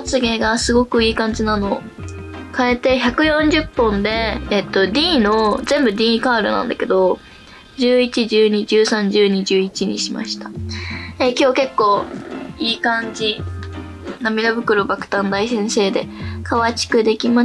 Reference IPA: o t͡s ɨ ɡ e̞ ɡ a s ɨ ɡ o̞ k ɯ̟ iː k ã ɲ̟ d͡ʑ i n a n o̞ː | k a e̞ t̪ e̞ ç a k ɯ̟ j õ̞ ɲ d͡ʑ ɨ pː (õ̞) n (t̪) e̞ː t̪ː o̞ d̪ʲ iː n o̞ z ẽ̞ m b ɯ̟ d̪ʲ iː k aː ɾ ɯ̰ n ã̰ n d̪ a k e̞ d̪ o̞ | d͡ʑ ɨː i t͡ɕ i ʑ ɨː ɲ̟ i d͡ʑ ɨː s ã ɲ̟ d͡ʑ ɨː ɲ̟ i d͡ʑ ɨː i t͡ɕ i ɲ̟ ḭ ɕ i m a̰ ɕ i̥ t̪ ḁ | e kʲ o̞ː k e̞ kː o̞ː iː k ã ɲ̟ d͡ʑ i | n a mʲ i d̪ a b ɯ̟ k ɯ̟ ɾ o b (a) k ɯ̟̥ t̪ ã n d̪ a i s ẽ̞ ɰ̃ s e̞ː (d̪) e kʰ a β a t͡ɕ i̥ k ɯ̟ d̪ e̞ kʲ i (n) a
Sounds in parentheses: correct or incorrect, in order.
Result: correct, incorrect: d̪, correct, correct, incorrect: m

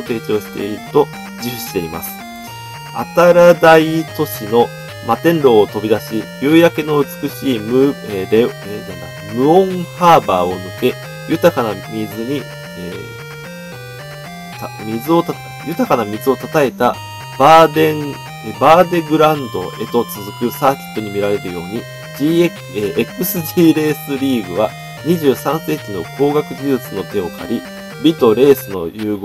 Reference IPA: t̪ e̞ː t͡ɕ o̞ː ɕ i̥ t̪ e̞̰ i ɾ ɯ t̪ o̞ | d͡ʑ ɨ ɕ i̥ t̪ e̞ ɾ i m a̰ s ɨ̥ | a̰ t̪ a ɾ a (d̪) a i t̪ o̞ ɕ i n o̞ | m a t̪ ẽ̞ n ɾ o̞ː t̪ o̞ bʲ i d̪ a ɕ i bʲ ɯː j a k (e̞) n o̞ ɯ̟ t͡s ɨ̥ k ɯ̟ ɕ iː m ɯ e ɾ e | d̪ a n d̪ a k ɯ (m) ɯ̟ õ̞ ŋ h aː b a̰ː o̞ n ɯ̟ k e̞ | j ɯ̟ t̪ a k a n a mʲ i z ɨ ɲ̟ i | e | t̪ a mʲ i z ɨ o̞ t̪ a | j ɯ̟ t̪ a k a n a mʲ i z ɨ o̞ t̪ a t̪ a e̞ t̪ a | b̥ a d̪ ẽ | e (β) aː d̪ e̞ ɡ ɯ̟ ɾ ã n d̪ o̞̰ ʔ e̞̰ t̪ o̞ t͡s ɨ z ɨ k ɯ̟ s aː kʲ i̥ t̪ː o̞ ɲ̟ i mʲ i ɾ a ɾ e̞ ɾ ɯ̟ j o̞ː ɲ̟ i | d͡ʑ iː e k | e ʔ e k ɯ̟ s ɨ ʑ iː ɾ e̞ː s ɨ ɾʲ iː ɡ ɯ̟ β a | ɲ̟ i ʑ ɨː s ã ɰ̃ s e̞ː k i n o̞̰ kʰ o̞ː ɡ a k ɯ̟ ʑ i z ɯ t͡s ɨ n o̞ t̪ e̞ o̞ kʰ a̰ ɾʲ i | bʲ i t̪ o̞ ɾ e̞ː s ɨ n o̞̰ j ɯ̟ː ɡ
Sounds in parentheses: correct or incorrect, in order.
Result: correct, correct, correct, incorrect: b

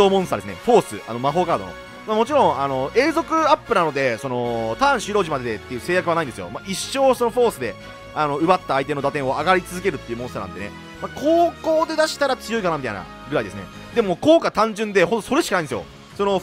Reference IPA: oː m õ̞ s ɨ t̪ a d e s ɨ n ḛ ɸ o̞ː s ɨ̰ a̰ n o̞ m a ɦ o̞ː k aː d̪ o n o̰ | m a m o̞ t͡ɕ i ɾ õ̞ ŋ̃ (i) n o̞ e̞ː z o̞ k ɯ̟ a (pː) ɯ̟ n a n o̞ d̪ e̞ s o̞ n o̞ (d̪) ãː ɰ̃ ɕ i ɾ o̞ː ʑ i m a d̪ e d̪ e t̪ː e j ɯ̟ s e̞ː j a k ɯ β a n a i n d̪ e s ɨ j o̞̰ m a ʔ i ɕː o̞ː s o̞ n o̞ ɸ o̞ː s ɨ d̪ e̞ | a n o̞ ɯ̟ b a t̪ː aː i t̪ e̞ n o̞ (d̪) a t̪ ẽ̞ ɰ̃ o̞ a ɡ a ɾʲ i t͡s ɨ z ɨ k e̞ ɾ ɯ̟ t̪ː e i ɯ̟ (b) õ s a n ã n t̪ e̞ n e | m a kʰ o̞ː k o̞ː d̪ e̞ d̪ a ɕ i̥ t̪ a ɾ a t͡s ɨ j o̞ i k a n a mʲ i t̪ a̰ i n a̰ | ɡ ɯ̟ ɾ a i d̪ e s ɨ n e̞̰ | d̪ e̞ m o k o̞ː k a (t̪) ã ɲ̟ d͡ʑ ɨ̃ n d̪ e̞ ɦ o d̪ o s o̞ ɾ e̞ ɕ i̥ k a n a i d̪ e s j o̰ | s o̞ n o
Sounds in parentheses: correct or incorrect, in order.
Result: incorrect: a, correct, incorrect: t̪, correct, incorrect: m, correct

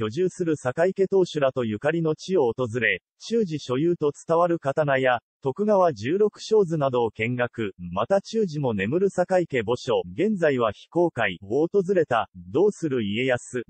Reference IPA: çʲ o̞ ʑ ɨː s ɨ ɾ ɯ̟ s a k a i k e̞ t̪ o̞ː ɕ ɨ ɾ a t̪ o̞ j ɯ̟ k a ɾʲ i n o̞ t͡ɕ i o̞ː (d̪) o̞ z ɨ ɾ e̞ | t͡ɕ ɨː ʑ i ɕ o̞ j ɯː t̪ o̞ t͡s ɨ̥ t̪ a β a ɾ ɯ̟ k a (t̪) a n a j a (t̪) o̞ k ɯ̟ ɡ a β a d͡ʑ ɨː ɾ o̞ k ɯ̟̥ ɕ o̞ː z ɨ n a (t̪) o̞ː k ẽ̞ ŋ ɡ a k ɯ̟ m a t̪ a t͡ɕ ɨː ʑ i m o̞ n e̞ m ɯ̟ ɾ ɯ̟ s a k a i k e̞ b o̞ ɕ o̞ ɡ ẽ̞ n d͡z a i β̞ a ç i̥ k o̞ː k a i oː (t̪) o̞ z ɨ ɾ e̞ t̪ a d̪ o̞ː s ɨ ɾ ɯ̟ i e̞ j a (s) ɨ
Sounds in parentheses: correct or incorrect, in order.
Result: incorrect: t̪, correct, correct, incorrect: d̪, correct, correct

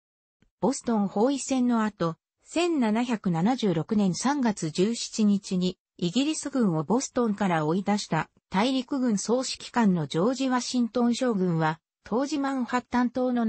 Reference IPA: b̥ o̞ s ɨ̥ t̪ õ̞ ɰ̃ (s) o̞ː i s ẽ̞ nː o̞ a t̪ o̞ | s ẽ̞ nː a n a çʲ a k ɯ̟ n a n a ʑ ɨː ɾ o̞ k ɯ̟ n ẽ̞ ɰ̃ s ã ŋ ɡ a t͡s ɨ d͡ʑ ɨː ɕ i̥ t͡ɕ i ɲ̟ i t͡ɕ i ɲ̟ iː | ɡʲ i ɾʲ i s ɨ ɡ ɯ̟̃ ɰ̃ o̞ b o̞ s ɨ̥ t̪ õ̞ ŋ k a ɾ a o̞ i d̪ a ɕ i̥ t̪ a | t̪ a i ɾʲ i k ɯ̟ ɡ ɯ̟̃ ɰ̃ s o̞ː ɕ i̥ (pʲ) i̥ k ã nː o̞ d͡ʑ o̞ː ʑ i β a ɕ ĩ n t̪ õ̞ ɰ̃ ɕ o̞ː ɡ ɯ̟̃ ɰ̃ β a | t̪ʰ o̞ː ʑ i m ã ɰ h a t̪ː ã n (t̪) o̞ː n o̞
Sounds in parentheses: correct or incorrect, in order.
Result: incorrect: h, incorrect: kʲ, correct

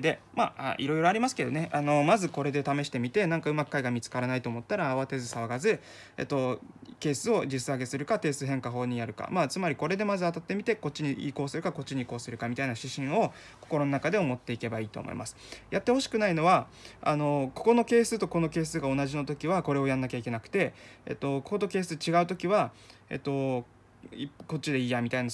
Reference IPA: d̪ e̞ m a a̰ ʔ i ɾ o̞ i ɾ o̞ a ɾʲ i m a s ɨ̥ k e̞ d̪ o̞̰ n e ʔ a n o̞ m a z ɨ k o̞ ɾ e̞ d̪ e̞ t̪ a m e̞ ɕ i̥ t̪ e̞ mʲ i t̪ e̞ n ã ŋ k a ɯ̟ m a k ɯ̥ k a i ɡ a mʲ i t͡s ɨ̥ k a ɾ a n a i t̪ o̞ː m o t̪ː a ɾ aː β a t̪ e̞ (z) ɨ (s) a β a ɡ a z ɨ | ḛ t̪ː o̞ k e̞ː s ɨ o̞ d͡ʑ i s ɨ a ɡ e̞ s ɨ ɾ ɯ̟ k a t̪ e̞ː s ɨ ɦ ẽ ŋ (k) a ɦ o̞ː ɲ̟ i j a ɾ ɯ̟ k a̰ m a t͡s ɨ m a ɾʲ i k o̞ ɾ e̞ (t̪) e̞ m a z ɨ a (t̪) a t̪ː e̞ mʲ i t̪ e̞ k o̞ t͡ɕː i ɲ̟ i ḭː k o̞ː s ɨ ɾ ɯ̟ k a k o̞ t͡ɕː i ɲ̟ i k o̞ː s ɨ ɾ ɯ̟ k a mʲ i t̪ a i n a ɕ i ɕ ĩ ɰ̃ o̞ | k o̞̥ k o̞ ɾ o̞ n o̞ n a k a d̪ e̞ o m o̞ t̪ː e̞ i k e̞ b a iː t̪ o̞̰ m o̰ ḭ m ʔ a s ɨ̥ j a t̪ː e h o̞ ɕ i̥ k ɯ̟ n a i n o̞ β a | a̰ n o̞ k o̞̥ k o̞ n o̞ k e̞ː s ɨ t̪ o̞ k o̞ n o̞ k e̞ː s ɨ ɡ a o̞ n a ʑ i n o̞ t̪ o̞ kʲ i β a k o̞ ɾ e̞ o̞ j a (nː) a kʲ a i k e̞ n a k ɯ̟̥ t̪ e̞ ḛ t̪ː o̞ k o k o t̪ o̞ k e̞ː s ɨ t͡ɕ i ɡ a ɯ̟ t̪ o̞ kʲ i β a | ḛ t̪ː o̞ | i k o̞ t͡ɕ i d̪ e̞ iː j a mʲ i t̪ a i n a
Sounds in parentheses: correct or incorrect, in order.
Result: correct, correct, correct, incorrect: d̪, correct, correct

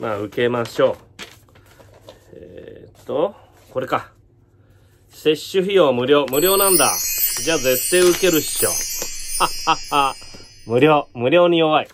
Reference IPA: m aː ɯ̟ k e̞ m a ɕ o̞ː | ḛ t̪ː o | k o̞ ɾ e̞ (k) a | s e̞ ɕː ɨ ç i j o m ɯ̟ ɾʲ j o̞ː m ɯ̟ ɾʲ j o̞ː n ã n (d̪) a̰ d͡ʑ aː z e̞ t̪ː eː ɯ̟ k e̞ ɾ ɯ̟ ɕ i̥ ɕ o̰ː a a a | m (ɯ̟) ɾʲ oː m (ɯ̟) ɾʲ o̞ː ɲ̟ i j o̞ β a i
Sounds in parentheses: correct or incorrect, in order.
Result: correct, correct, correct, correct

